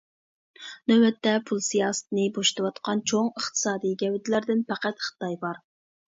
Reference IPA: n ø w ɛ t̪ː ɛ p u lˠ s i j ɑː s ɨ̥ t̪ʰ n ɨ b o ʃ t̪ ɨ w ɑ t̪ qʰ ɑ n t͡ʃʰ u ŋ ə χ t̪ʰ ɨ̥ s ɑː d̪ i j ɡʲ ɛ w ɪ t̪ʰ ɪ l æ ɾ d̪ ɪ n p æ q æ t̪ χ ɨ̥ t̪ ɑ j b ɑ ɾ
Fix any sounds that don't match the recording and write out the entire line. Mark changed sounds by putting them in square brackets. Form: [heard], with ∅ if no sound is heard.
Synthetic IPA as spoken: n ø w ɛ t̪ː ɛ [pʰ] u lˠ s i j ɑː s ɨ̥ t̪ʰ n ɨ b o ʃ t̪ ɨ w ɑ t̪ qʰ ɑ n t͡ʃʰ [o] ŋ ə χ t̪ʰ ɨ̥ s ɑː d̪ i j ɡʲ ɛ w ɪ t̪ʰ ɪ l æ ɾ d̪ ɪ n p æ q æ t̪ χ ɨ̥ t̪ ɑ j b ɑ ɾ